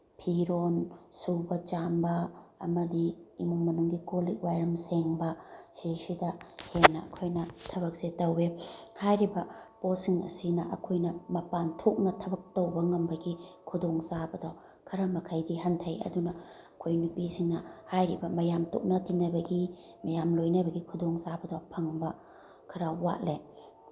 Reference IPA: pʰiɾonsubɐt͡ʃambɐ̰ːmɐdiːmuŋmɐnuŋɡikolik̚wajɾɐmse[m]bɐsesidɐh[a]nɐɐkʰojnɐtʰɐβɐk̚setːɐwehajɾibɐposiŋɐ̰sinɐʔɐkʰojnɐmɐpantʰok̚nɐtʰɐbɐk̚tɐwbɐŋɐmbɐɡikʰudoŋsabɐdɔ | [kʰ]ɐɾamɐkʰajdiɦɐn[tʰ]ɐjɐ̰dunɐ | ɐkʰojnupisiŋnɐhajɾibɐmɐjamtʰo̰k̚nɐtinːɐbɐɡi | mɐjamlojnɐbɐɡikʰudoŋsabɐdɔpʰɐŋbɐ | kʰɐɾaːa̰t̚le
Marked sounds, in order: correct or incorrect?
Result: incorrect, incorrect, correct, correct

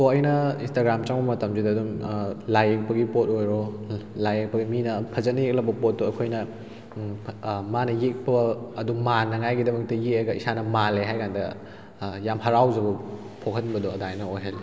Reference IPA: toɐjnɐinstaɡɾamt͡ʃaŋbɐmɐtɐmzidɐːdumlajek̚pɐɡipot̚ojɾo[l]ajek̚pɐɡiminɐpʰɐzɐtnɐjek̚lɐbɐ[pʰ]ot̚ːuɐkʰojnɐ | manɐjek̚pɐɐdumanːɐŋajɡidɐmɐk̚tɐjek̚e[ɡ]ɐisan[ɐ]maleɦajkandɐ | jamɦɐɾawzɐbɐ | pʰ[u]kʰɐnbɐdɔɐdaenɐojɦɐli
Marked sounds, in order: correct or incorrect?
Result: correct, incorrect, correct, correct, incorrect

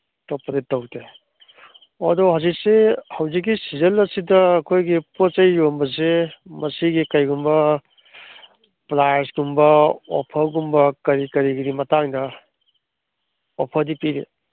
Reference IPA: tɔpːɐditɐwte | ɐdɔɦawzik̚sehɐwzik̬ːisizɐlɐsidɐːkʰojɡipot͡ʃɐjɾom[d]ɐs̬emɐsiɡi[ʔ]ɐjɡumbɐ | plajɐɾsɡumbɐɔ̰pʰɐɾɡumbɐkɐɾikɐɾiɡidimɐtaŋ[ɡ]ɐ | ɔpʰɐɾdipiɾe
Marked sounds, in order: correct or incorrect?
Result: incorrect, incorrect, incorrect

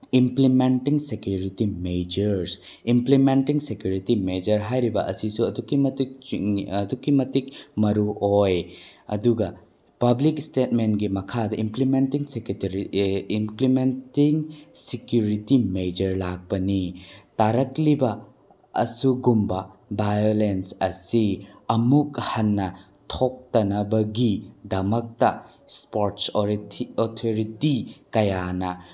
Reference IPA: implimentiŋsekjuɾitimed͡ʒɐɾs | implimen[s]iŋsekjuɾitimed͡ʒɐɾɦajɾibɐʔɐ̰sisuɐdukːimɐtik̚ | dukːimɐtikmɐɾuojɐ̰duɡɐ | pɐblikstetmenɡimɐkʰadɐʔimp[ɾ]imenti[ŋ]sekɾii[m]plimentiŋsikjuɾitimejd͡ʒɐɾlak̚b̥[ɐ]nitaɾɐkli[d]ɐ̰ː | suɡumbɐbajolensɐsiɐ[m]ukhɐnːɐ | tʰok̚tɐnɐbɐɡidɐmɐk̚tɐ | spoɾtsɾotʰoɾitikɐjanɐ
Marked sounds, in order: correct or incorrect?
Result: incorrect, incorrect, correct, correct, correct, incorrect, correct

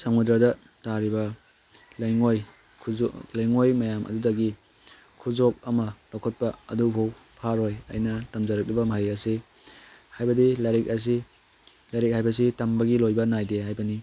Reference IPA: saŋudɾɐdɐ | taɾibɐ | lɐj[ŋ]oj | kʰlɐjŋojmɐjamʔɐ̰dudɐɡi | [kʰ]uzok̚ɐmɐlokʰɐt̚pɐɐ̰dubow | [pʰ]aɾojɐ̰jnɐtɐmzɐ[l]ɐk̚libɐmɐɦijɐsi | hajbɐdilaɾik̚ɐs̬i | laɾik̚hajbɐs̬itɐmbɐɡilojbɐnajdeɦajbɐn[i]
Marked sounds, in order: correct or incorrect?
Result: correct, correct, correct, incorrect, correct

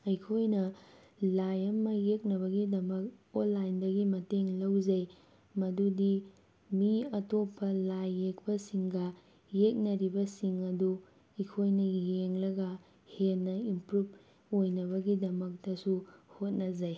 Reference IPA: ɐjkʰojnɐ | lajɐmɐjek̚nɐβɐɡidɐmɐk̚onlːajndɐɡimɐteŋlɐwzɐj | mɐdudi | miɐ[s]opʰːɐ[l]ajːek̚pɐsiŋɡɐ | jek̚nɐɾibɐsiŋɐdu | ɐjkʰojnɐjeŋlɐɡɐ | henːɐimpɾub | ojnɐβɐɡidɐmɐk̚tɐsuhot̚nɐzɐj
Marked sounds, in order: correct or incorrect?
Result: incorrect, correct

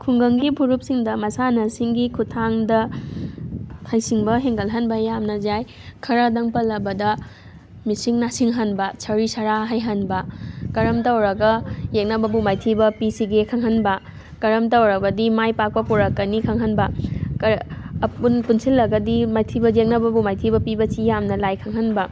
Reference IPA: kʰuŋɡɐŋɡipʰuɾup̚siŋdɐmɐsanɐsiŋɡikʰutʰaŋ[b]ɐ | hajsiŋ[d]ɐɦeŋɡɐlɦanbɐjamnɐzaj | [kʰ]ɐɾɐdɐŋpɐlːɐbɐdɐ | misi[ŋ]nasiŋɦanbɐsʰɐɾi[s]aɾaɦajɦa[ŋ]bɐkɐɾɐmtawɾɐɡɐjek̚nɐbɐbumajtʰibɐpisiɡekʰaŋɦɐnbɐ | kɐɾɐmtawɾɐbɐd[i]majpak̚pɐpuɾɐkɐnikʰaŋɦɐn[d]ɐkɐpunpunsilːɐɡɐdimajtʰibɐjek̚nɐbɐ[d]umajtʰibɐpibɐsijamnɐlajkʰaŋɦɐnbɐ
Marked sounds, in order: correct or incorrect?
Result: incorrect, incorrect, correct, correct, correct, incorrect, correct, incorrect, incorrect

